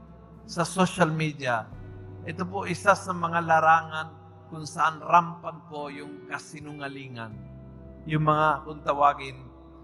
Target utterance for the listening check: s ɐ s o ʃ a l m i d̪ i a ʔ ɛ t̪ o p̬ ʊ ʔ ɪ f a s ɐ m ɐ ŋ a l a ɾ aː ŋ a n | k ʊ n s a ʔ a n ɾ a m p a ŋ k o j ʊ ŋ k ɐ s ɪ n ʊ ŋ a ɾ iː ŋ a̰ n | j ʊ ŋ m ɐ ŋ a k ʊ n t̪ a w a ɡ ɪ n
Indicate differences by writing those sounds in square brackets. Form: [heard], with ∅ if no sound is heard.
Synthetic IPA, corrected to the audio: s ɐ s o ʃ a l m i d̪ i a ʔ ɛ t̪ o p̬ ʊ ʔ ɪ [s] a s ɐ m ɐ ŋ a l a ɾ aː ŋ a n | k ʊ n s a ʔ a n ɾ a m p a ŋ k o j ʊ ŋ k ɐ s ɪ n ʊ ŋ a [l] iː ŋ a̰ n | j ʊ ŋ m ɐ ŋ a k ʊ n t̪ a w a ɡ ɪ n